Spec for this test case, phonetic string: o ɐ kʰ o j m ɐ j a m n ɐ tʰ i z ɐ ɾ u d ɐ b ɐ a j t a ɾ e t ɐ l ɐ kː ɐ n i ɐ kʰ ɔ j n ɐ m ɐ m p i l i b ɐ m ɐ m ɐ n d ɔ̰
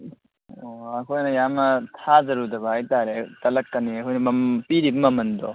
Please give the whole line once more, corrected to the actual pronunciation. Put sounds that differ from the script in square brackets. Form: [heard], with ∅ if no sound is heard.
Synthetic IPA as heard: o ɐ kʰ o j [n] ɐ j a m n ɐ tʰ [a] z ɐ ɾ u d ɐ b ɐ a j t a ɾ e t ɐ l ɐ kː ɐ n i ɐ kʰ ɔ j n ɐ m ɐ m p i [ɾ] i b ɐ m ɐ m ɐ n d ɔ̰